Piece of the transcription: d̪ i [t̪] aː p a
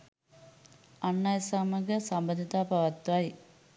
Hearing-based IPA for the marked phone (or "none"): t̪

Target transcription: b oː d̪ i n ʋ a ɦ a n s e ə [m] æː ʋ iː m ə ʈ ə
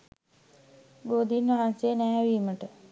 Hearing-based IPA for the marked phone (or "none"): n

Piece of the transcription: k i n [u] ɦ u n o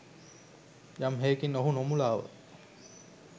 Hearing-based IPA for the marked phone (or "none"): o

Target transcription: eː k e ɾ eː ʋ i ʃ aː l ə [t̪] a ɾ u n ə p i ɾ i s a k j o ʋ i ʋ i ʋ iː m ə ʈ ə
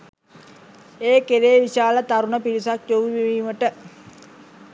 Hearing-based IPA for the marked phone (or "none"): t̪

